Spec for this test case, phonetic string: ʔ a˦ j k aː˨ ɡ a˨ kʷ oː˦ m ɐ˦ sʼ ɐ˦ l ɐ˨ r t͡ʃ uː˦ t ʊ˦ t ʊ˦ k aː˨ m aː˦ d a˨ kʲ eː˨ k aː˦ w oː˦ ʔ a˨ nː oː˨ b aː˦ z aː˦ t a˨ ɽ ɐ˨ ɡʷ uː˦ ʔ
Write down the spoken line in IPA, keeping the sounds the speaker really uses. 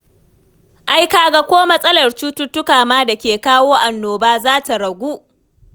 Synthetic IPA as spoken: ʔ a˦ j k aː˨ ɡ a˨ kʷ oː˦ m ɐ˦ sʼ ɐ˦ l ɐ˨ r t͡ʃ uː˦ t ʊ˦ t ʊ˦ k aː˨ m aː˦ d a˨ kʲ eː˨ k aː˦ w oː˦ ʔ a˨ nː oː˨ b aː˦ z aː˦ t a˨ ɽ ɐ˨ ɡʷ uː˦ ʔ